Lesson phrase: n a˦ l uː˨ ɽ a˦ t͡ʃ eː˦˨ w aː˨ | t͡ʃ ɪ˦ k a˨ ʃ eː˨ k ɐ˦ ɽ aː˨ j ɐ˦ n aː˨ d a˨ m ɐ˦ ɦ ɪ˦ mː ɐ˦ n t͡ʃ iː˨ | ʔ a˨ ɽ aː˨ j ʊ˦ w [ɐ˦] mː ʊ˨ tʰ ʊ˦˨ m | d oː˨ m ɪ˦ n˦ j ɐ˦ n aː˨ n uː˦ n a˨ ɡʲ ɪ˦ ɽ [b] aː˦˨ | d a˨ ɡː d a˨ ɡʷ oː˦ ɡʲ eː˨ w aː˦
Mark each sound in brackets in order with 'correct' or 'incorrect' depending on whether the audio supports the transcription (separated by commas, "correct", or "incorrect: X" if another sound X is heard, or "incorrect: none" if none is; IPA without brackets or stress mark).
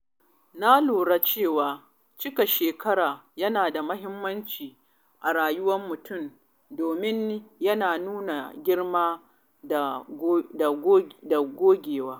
correct, incorrect: m